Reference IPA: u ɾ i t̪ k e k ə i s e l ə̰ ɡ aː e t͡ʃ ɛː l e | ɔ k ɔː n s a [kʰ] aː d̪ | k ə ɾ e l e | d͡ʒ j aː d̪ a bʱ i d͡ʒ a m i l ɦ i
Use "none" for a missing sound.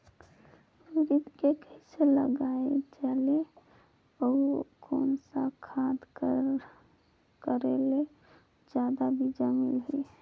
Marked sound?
kʰ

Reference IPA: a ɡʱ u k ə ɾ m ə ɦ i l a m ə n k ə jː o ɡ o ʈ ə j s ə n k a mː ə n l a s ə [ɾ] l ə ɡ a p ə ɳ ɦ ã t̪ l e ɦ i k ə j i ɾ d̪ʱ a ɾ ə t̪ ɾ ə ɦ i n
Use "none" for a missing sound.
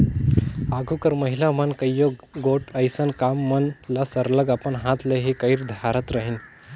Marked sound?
ɾ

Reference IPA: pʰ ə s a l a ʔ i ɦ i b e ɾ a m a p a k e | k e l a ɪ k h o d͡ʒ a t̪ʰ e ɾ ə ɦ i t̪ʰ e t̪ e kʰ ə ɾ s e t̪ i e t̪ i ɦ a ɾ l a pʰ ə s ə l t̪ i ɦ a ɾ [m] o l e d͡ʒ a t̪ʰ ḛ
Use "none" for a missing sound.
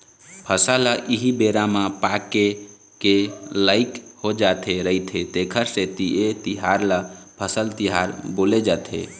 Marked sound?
b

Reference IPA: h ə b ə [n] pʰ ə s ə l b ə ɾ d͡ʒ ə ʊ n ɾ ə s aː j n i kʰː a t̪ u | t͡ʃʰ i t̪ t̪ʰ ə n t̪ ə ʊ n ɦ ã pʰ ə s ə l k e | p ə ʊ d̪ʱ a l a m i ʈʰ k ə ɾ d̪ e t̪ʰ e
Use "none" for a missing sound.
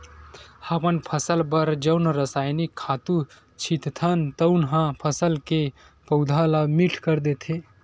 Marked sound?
n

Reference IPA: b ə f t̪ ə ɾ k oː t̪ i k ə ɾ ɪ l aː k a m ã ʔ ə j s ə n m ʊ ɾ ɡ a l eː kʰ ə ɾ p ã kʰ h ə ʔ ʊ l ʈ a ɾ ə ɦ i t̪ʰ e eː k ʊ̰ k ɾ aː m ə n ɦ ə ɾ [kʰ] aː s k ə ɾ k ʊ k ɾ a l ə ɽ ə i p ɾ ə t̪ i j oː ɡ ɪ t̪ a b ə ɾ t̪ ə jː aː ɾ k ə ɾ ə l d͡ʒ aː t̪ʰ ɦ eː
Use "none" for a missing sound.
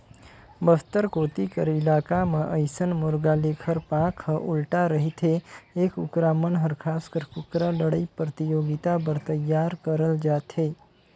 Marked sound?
kʰ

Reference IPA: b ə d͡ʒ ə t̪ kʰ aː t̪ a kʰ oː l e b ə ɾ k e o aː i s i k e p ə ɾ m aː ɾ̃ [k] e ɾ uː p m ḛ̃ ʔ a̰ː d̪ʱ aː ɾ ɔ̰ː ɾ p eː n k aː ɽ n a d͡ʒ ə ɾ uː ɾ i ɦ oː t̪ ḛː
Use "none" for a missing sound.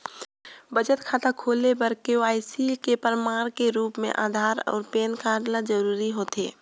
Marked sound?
k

